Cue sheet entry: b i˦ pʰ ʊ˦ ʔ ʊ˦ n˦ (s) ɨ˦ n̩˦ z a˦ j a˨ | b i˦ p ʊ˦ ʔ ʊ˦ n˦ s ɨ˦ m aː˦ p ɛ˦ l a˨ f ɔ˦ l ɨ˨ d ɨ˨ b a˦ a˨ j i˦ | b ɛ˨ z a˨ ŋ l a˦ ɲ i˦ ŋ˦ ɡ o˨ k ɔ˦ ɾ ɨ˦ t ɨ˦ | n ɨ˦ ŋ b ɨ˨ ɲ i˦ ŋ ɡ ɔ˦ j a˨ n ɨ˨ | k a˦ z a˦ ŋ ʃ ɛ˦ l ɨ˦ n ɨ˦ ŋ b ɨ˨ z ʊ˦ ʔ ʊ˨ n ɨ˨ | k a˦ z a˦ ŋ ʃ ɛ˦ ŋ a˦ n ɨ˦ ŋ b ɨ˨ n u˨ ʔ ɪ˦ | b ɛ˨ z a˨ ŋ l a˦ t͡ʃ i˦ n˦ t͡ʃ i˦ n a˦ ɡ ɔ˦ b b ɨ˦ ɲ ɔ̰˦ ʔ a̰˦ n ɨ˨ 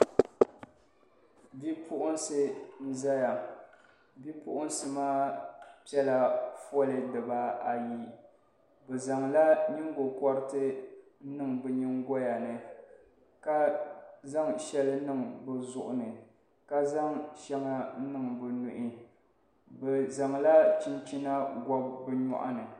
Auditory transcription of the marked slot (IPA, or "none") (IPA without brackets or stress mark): s